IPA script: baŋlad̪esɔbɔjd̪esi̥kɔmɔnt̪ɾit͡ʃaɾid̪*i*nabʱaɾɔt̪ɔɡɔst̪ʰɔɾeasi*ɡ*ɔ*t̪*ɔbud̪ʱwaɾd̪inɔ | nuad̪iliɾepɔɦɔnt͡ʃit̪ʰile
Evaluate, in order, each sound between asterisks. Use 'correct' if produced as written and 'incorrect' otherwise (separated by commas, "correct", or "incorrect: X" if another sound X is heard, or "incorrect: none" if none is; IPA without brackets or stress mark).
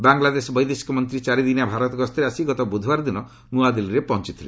correct, correct, correct